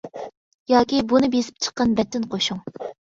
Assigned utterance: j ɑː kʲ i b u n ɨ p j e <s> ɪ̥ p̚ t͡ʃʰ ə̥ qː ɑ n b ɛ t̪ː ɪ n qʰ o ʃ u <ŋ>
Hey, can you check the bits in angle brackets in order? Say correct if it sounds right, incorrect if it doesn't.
correct, correct

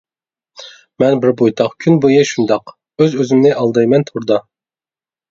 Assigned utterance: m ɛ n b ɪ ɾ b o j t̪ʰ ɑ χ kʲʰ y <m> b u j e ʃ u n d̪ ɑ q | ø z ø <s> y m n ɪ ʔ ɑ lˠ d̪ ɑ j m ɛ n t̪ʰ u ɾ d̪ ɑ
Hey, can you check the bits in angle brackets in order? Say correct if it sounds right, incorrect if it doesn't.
incorrect, incorrect

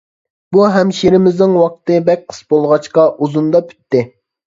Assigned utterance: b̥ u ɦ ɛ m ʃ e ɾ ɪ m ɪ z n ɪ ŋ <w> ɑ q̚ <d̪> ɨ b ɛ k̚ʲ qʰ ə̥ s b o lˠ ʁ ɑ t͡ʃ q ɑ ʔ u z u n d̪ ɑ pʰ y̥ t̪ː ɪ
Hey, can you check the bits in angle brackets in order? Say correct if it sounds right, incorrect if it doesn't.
correct, incorrect

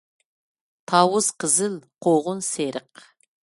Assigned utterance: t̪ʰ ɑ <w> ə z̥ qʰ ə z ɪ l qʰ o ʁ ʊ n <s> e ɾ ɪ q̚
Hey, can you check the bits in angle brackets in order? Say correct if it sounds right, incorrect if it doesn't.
correct, correct

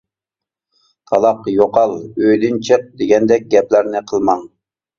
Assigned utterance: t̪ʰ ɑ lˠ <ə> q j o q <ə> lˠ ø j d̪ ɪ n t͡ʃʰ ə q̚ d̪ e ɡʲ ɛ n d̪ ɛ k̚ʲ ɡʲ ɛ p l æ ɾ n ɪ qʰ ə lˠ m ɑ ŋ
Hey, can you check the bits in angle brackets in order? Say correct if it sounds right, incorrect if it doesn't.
incorrect, incorrect

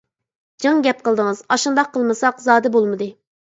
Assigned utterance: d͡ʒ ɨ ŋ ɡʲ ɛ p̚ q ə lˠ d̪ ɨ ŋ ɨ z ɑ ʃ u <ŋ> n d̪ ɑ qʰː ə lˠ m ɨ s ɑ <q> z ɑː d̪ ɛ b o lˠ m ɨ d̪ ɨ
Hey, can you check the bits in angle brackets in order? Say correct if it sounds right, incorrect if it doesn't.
incorrect, correct

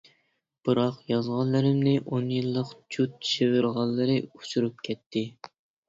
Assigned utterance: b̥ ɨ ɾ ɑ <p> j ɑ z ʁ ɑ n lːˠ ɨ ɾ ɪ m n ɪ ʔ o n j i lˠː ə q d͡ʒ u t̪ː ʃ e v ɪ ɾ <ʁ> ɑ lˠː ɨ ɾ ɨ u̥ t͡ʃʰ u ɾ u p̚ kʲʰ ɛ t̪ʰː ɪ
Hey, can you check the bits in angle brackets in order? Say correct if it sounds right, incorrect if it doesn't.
incorrect, correct

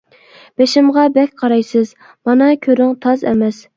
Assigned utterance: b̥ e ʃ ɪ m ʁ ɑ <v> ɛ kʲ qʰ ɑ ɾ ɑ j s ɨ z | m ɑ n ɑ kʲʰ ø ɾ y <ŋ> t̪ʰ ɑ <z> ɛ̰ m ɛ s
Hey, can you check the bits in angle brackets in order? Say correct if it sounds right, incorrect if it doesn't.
incorrect, correct, correct

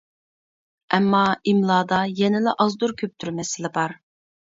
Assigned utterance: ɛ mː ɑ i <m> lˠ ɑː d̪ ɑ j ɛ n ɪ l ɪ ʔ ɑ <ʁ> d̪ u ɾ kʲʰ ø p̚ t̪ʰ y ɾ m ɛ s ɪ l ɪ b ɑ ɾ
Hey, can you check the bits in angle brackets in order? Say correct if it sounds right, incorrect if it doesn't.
correct, incorrect

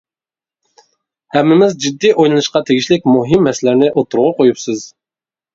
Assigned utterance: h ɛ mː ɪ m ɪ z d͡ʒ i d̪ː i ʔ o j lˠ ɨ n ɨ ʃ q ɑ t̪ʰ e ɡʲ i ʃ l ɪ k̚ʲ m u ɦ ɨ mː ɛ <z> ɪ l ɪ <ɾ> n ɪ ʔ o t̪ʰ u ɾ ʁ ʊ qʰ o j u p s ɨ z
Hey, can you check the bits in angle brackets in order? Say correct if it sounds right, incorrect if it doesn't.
incorrect, correct

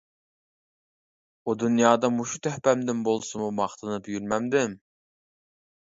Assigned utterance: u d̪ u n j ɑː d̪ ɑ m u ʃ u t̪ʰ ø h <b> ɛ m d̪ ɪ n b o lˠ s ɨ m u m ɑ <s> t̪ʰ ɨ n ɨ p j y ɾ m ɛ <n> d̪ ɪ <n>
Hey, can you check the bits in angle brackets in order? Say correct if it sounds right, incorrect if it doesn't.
incorrect, incorrect, incorrect, incorrect

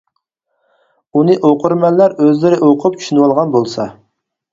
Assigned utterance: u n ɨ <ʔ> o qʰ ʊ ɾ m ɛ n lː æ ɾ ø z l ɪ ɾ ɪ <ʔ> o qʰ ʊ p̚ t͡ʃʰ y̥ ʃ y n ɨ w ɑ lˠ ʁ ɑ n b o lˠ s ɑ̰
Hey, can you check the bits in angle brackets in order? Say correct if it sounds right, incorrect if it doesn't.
correct, correct

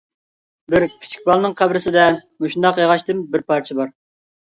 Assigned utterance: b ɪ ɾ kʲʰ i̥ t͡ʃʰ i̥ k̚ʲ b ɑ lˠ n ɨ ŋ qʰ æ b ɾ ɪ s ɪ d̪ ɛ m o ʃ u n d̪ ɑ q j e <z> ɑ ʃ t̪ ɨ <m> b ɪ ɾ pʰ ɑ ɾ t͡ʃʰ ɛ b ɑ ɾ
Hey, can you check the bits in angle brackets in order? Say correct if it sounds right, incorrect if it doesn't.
incorrect, correct

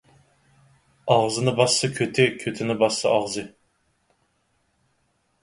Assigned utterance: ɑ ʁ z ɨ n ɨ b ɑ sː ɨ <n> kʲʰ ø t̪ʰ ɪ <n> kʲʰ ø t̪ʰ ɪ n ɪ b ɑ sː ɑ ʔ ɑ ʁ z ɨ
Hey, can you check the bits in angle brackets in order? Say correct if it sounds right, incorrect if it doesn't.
incorrect, incorrect

